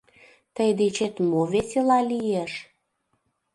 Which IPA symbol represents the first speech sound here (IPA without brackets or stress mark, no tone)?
t̪